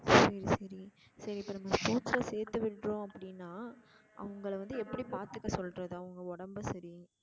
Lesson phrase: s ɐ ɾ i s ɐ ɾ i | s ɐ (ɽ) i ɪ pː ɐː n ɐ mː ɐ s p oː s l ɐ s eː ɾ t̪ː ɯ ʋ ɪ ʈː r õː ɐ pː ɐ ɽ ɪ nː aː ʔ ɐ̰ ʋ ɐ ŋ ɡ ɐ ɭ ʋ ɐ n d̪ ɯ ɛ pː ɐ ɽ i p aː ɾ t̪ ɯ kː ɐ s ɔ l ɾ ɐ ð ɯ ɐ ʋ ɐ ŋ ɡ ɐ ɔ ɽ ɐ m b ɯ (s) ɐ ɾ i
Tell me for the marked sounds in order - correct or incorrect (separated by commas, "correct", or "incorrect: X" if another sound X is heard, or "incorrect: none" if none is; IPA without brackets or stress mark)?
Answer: incorrect: ɾ, correct